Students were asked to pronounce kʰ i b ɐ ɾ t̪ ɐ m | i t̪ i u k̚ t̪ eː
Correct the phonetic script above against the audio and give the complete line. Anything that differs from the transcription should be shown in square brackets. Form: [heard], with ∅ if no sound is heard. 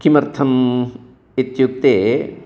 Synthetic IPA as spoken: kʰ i [m] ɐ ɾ [t̪ʰ] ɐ m | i t̪ [j] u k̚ t̪ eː